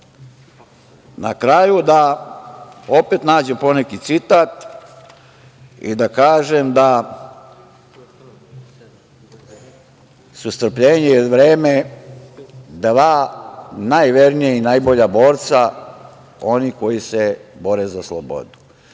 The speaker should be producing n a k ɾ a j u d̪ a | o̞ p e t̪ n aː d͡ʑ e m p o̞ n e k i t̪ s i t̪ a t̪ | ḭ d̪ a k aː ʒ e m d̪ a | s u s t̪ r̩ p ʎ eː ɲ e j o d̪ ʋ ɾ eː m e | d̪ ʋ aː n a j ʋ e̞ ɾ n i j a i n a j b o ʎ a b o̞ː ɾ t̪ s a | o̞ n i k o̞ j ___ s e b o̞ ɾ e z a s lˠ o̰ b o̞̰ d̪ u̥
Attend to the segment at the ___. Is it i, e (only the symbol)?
i